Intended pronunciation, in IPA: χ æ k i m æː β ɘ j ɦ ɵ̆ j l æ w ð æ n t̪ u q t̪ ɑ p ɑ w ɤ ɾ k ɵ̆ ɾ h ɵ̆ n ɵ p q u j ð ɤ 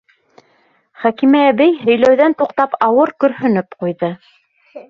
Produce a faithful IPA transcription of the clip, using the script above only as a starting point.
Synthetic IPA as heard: χ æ k i m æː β ɘ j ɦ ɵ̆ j l æ w ð æ n t̪ u q t̪ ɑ p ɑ w ɤ ɾ k ɵ̆ ɾ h ɵ̆ n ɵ p q u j ð ɤ